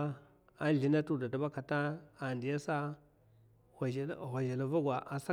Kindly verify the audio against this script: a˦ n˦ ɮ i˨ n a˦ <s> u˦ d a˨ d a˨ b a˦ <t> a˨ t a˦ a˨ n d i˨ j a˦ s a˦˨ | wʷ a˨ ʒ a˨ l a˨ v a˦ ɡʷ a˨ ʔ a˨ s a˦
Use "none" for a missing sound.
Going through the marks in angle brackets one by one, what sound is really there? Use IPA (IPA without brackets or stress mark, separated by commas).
t, k